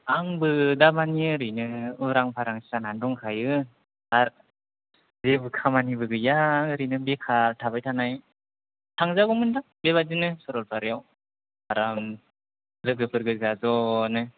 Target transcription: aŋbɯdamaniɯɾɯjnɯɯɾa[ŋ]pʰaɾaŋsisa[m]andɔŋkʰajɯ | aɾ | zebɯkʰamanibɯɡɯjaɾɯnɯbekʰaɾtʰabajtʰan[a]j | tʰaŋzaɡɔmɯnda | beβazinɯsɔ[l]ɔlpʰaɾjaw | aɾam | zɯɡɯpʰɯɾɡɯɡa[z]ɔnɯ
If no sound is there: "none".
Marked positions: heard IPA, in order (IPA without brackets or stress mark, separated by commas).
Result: ŋ, n, a, ɾ, z